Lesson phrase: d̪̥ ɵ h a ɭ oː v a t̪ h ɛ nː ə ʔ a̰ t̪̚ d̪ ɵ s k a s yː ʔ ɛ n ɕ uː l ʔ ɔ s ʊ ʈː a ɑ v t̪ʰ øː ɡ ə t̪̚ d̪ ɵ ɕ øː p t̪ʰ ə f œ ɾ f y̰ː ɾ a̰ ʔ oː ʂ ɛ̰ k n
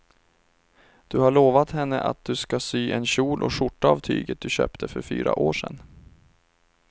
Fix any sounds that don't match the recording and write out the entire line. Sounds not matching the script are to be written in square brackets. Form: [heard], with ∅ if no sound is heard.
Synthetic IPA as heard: d̪̥ ɵ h a ɭ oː v a t̪ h ɛ nː ə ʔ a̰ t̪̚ d̪ ɵ s k a s yː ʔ ɛ n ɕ uː l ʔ ɔ [ʂ] ʊ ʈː a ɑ v t̪ʰ [yː] ɡ ə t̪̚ d̪ ɵ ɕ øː p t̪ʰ ə f œ ɾ f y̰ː ɾ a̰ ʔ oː ʂ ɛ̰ [∅] n